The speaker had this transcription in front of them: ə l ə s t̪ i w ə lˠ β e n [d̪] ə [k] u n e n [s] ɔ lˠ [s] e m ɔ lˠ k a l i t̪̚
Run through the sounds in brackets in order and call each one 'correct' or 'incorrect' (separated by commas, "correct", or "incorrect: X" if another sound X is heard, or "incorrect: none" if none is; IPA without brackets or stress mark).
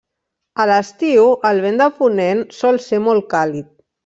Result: correct, incorrect: p, correct, correct